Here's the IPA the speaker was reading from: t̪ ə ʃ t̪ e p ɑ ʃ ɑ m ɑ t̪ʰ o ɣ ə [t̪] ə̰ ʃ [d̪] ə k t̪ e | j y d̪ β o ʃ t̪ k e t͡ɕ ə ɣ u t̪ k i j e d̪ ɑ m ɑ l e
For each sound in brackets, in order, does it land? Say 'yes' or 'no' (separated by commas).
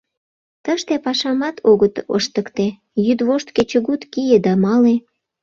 yes, no